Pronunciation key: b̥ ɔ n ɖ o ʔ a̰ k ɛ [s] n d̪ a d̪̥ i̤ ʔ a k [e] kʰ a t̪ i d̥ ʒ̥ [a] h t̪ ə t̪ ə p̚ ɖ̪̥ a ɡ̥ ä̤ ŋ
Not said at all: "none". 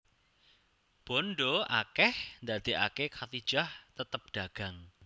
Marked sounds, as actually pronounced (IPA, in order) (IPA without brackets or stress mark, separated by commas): h, e, a